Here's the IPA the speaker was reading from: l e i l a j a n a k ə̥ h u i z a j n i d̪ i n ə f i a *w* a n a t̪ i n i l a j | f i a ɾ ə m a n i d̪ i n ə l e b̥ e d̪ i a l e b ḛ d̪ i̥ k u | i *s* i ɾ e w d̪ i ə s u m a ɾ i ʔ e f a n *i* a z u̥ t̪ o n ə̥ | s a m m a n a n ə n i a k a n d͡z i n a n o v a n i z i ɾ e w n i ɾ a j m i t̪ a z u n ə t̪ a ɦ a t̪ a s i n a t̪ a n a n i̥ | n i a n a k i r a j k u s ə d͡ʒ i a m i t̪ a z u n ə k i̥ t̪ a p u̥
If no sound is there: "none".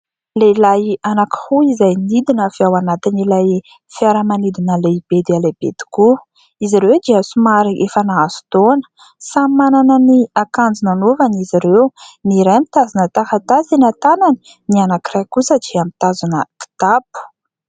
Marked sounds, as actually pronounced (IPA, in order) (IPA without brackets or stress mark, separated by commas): w, z, a